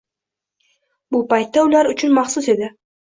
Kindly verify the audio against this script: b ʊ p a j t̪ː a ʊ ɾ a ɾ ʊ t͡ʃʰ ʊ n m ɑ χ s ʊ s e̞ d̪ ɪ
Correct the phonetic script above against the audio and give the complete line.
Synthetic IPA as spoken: b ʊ p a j t̪ː a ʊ l a ɾ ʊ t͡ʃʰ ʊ n m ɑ χ s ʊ s e̞ d̪ ɪ